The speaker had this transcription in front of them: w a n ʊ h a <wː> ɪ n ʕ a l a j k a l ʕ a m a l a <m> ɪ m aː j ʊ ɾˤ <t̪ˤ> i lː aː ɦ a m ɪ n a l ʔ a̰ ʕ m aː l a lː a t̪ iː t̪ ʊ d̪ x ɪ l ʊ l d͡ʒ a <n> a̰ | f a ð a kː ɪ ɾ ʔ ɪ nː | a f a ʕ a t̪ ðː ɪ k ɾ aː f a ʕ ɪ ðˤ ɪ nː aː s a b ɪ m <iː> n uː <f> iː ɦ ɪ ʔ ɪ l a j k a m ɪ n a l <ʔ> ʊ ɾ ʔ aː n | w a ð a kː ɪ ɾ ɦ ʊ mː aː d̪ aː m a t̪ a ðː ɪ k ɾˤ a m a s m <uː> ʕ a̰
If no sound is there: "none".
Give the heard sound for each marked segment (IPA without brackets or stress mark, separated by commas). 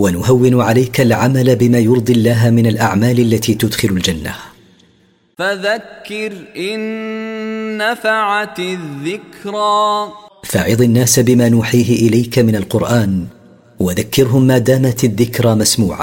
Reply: wː, b, d̪ˤ, nː, aː, ħ, q, uː